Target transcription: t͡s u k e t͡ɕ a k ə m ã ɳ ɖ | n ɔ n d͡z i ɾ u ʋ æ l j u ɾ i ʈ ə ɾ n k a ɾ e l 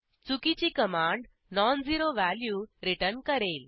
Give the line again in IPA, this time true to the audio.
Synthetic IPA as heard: t͡s u k i t͡ɕ i k ə m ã ɳ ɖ | n ɔ n d͡z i ɾ o ʋ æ l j u ɾ i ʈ ə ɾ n k ə ɾ e l